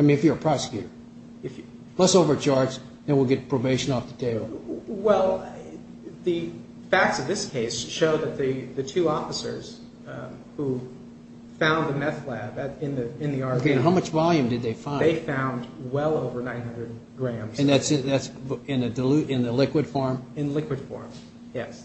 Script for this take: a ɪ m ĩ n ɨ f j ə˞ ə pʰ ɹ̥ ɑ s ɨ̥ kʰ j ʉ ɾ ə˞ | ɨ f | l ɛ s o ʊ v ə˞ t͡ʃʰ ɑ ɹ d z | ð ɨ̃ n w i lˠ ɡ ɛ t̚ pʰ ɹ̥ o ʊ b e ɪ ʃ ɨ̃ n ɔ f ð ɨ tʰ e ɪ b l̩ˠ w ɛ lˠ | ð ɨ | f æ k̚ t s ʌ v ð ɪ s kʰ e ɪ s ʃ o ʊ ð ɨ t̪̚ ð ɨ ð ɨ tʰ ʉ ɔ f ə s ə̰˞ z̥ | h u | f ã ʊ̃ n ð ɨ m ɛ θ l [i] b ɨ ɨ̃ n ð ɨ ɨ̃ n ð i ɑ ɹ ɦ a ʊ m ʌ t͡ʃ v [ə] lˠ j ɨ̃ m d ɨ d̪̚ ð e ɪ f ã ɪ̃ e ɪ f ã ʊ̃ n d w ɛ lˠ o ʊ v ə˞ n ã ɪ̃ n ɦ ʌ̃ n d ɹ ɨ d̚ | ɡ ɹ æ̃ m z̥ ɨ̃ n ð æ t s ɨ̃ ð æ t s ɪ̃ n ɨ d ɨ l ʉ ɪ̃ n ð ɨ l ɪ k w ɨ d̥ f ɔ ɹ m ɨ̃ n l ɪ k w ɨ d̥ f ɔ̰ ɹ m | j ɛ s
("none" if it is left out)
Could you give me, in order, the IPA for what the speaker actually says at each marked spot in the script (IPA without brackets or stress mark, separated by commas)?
æ, ɑ